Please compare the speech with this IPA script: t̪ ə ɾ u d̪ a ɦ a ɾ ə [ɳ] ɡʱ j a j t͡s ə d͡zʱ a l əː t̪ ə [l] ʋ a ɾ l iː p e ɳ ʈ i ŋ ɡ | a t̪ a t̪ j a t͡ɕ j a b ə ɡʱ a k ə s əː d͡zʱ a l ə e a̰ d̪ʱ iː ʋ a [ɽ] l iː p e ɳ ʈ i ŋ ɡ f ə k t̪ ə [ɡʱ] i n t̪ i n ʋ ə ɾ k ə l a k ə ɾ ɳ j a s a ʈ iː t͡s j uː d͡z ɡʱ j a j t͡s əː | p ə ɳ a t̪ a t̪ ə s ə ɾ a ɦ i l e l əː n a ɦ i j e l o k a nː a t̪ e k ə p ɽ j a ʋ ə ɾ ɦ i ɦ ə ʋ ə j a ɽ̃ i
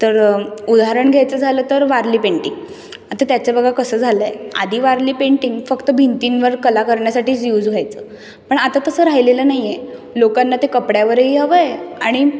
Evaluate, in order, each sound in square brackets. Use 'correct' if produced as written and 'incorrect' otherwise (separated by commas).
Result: correct, incorrect, incorrect, incorrect